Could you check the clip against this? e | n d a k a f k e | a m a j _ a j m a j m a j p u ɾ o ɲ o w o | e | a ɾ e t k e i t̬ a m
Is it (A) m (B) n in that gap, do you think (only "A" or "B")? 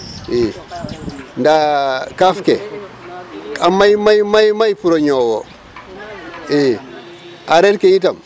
A